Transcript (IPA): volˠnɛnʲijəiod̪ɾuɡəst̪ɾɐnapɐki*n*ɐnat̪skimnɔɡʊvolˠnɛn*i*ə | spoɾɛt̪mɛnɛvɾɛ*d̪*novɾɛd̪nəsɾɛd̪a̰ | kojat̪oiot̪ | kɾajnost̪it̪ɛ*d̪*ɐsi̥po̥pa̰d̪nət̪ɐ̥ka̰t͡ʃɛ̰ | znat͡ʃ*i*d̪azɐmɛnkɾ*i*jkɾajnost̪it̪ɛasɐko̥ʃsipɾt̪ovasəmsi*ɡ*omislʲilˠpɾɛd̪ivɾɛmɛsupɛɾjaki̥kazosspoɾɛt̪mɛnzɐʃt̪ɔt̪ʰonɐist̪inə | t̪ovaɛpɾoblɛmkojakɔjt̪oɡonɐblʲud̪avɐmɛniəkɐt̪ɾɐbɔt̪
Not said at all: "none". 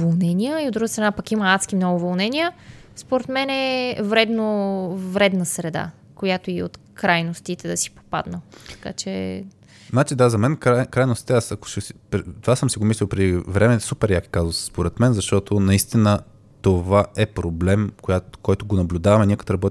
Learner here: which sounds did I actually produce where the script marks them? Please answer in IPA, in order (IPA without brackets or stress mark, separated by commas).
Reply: m, i, d̪, d̪, i, a, ɡ